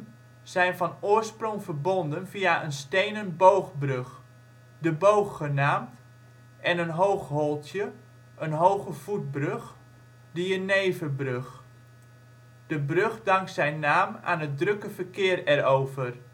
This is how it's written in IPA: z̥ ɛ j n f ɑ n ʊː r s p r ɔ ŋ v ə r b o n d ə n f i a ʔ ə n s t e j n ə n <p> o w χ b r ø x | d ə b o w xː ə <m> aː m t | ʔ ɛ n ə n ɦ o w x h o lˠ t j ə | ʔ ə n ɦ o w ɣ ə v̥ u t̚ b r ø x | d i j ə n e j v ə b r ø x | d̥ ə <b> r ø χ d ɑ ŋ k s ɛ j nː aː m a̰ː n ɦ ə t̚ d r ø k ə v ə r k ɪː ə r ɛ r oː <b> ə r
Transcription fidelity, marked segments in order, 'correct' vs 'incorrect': incorrect, incorrect, correct, incorrect

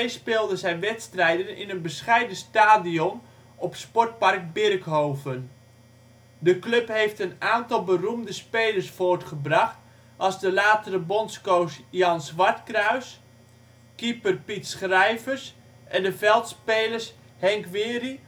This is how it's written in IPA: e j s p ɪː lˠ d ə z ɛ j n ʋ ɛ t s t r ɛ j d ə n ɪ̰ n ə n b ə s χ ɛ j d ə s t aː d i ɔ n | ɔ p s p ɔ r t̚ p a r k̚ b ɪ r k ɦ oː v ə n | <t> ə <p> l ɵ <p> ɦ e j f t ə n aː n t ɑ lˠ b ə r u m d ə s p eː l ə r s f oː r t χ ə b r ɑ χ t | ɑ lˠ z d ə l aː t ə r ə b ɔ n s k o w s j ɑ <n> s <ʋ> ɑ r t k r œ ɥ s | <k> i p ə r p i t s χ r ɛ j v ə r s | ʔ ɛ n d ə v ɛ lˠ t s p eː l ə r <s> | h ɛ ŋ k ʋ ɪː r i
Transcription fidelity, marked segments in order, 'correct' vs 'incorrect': incorrect, incorrect, correct, correct, correct, correct, correct

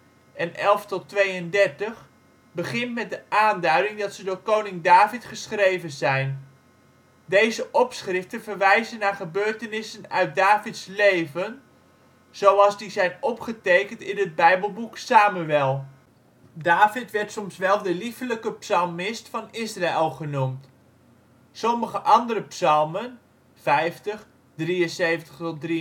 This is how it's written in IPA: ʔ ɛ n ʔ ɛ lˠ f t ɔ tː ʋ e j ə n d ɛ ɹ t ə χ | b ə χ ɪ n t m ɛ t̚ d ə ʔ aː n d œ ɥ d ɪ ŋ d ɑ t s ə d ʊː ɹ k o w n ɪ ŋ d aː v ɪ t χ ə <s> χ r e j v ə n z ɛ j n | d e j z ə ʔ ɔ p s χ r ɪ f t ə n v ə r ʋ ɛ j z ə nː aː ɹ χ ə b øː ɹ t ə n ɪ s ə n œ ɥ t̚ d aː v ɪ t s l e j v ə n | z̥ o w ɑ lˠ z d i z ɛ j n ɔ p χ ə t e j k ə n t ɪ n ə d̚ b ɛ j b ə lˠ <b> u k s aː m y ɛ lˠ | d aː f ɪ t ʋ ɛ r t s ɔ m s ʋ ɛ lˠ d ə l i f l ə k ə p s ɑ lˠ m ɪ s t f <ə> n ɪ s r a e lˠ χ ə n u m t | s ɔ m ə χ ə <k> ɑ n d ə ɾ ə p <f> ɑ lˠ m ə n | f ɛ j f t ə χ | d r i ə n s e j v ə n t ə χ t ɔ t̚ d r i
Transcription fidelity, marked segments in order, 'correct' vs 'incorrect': correct, correct, incorrect, incorrect, incorrect

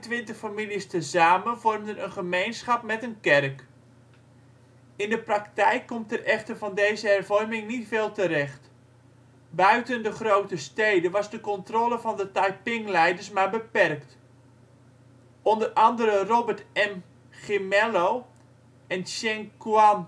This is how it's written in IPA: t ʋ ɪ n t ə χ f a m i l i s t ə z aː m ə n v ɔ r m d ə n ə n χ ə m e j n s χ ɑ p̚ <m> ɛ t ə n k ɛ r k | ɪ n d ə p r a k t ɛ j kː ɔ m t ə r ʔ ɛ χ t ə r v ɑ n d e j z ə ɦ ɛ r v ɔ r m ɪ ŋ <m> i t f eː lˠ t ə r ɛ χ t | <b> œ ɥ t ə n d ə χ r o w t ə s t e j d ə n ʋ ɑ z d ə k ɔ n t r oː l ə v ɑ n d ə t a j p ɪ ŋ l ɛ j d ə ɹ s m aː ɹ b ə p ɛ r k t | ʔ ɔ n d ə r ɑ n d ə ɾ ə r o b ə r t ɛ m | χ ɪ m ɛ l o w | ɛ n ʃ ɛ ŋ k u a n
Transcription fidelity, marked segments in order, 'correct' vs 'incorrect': correct, incorrect, correct

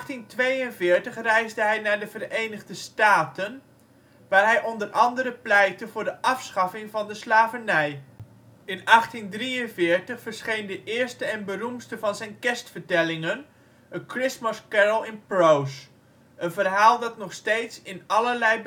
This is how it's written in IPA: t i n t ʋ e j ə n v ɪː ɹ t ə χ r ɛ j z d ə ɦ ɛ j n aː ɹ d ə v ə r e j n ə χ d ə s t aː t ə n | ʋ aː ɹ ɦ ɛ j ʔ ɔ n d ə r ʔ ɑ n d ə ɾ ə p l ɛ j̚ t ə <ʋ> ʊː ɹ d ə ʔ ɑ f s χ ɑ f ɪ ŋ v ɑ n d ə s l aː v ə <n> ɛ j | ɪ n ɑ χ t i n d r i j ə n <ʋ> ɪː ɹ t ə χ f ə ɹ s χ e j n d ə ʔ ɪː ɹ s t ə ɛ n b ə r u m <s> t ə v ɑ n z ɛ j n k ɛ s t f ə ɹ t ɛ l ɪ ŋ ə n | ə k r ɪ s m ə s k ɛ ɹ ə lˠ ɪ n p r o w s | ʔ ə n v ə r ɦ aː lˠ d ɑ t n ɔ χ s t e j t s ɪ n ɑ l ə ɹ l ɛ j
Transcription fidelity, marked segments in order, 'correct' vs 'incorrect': incorrect, correct, incorrect, correct

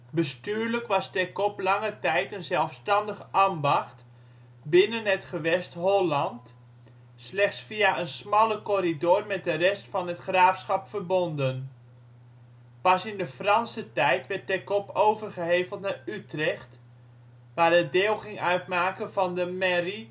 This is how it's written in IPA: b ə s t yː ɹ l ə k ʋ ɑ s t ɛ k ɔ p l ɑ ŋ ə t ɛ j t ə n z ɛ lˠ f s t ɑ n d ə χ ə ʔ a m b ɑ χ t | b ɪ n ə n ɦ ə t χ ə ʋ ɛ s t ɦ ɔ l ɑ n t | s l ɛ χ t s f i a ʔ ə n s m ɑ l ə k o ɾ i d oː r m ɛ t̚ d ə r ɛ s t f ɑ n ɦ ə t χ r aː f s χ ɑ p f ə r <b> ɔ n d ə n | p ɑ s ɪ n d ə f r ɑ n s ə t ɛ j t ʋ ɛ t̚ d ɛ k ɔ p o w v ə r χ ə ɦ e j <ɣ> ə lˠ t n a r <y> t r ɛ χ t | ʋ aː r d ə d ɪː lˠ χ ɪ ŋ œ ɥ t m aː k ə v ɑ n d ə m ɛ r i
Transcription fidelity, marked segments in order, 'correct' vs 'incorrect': correct, incorrect, correct

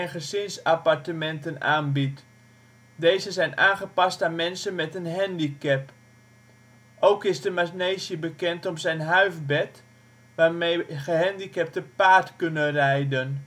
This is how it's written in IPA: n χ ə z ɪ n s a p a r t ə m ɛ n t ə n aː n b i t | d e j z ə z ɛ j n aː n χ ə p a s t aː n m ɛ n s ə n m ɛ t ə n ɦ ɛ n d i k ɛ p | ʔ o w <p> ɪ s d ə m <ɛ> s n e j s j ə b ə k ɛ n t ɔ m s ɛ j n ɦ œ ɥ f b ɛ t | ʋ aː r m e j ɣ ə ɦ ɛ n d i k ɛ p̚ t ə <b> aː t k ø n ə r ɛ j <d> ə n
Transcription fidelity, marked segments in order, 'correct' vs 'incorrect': incorrect, incorrect, incorrect, correct

